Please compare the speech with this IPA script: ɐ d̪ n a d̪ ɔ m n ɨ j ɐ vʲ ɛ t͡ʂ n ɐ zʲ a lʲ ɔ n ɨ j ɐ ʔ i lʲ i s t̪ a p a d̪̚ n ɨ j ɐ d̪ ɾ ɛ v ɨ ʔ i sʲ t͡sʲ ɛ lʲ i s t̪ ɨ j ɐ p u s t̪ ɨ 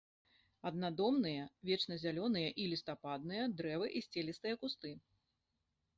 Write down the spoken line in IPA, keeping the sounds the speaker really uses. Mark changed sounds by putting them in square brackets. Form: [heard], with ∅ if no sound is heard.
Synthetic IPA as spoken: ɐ d̪ n a d̪ ɔ m n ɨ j ɐ vʲ ɛ t͡ʂ n ɐ zʲ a lʲ ɔ n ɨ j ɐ ʔ i lʲ i s t̪ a p a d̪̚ n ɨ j ɐ d̪ ɾ ɛ v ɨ ʔ i sʲ t͡sʲ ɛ lʲ i s t̪ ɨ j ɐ [k] u s t̪ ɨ